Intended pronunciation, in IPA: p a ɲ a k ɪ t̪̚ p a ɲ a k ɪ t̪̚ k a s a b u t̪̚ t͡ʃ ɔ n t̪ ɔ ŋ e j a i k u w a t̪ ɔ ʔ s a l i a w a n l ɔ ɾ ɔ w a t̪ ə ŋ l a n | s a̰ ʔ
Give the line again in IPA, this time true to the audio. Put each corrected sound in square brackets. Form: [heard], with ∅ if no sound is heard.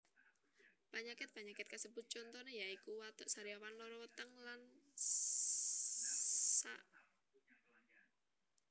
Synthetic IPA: p a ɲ a k ɪ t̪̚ p a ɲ a k ɪ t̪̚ k a s [ə] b u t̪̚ t͡ʃ ɔ n t̪ ɔ [n] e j a i k u w a t̪ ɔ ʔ s a [ɾ] i a w a n l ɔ ɾ ɔ w [ə] t̪ ə ŋ l a n | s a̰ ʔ